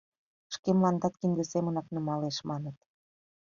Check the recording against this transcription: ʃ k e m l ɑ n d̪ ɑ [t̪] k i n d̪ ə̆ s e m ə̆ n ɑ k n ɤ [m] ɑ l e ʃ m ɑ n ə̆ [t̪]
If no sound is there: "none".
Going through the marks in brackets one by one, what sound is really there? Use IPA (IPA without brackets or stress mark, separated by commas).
t̪, m, t̪